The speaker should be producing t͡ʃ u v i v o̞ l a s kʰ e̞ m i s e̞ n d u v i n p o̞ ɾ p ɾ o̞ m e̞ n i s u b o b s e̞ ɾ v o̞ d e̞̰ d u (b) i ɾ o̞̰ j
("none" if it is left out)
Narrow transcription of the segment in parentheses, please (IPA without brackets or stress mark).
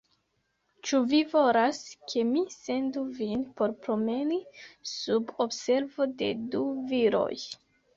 v